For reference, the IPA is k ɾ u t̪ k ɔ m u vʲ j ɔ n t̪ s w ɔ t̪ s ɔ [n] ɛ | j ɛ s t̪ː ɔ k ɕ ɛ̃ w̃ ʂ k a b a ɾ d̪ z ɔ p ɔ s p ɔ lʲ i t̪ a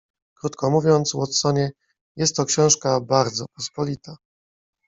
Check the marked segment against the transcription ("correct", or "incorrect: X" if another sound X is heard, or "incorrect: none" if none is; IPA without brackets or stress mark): incorrect: ɲ